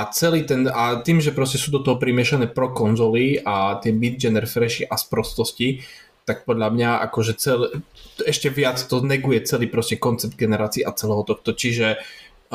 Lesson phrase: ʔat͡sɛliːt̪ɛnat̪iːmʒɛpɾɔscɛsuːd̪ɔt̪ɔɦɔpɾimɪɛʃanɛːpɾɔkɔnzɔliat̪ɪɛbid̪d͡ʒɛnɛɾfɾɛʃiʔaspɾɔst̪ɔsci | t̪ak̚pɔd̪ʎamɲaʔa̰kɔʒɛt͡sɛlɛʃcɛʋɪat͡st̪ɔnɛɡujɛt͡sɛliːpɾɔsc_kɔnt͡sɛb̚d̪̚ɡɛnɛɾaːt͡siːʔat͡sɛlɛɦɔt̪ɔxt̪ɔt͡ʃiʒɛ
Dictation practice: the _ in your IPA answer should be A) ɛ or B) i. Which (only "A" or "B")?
A